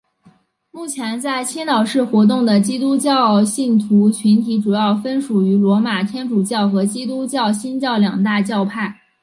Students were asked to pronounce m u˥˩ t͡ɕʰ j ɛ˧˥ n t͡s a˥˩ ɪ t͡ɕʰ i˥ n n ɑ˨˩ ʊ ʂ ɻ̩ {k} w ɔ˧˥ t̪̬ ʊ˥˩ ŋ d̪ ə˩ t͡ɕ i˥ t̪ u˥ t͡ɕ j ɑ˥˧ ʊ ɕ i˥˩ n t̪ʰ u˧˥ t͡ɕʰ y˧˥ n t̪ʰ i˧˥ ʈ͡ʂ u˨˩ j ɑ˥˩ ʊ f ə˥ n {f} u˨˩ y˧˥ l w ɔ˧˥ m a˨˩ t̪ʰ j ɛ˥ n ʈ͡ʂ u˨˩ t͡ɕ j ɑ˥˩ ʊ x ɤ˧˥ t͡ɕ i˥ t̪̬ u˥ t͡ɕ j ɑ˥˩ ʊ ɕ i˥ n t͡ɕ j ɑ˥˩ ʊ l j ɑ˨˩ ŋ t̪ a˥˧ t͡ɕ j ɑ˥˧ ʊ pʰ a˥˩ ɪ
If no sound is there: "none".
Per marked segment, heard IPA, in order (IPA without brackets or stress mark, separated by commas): x, ʂ